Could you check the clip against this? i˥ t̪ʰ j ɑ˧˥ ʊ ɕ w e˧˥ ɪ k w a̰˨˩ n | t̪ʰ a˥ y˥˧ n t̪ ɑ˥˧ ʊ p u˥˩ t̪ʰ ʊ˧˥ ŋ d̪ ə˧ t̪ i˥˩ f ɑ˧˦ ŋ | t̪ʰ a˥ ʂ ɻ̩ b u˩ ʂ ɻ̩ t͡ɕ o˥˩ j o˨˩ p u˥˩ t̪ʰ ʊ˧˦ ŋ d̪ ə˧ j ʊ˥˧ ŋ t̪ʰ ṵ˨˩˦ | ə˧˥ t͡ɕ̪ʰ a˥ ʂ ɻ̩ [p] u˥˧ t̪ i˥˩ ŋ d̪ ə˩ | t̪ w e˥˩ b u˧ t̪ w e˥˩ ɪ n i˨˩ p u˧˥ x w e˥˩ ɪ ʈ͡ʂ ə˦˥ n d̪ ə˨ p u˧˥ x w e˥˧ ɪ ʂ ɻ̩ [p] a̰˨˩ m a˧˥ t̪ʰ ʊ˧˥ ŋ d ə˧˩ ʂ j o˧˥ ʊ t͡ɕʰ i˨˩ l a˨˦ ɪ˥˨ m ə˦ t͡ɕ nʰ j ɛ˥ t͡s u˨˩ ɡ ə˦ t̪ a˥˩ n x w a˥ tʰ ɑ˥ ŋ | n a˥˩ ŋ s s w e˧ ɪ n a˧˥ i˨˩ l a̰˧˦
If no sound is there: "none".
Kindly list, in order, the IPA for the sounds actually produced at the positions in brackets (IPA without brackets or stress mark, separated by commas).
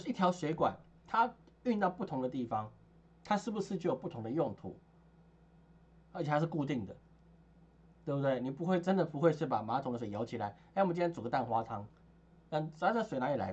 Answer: k, p